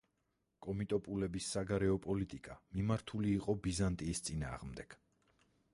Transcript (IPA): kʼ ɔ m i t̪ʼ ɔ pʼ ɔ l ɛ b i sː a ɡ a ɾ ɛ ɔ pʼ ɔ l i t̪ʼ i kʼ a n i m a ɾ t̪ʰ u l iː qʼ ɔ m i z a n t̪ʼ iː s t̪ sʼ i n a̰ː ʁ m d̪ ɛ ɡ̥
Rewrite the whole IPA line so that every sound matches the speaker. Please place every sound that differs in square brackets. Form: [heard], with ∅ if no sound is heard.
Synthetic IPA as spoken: kʼ ɔ m i t̪ʼ ɔ pʼ [u] l ɛ b i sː a ɡ a ɾ ɛ ɔ pʼ ɔ l i t̪ʼ i kʼ a [m] i m a ɾ t̪ʰ u l iː qʼ ɔ [b] i z a n t̪ʼ iː s t̪ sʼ i n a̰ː ʁ m d̪ ɛ ɡ̥